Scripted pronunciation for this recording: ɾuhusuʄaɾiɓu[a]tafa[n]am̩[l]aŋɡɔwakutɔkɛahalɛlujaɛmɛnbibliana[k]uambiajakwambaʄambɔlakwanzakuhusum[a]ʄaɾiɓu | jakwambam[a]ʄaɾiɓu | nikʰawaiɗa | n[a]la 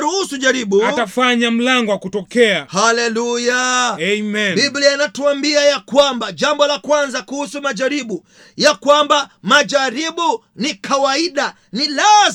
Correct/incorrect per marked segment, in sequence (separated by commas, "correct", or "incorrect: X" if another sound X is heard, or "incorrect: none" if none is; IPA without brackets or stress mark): correct, incorrect: ɲ, correct, incorrect: t, correct, correct, incorrect: i